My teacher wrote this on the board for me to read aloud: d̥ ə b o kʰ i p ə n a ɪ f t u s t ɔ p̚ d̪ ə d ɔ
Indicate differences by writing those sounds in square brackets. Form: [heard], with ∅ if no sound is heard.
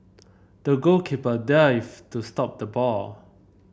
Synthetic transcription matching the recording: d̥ ə [ɡ] o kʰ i p ə [d] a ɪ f t u s t ɔ p̚ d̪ ə [b] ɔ